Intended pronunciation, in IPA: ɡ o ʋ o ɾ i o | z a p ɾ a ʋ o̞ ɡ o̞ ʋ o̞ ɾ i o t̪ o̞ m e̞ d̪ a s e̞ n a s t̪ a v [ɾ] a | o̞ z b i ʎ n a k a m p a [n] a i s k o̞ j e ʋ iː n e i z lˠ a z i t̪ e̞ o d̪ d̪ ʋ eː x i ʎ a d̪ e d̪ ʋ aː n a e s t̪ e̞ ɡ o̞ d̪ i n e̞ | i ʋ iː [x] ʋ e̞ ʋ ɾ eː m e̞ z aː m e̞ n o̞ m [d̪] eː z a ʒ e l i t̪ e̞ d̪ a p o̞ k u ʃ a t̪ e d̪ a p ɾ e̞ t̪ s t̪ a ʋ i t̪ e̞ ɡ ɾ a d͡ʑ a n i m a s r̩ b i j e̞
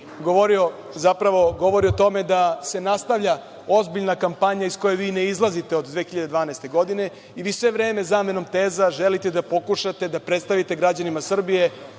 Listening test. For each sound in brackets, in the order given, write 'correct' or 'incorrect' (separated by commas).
incorrect, incorrect, incorrect, incorrect